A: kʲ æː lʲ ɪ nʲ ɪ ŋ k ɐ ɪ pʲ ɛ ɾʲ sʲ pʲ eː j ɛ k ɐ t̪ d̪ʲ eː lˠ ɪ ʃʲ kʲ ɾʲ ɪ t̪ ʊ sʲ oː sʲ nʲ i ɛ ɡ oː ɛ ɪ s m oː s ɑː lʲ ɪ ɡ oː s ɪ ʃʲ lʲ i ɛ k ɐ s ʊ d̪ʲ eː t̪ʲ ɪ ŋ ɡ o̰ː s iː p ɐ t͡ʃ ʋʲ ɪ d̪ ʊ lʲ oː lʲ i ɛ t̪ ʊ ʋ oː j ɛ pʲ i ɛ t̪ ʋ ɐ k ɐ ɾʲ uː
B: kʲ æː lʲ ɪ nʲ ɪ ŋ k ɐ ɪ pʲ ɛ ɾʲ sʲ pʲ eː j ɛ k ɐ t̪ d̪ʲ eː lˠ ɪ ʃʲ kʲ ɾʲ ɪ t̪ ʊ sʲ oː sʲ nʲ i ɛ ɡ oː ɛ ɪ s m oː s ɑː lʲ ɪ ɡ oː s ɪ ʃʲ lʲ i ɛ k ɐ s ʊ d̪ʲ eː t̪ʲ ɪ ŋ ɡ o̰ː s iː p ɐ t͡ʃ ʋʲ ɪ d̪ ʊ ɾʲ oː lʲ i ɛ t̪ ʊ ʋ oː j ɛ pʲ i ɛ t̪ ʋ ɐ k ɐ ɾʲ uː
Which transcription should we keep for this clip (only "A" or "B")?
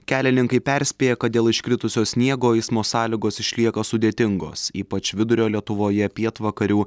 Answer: B